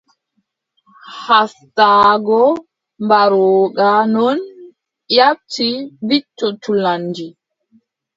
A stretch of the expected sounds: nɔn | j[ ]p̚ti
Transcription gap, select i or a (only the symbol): a